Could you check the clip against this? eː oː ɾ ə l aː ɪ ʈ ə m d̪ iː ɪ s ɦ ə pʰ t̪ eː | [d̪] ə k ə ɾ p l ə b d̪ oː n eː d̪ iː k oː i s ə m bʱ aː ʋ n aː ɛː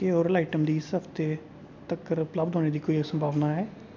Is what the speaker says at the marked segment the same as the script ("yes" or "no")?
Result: no